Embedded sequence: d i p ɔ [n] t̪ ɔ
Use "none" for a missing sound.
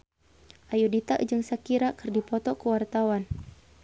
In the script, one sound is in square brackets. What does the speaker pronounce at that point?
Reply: none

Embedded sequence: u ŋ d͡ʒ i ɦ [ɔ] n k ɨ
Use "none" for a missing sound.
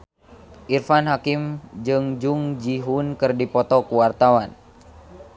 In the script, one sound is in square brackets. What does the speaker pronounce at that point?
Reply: u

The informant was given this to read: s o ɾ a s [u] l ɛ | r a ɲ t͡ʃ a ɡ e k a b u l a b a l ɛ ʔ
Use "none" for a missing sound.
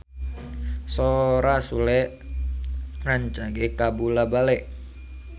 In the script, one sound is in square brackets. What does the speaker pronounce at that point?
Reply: u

